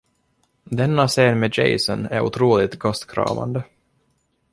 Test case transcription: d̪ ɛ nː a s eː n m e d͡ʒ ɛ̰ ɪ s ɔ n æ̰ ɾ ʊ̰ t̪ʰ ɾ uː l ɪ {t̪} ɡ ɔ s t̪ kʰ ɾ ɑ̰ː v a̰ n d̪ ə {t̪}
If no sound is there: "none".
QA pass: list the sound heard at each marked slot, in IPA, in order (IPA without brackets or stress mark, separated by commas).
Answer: t̪, none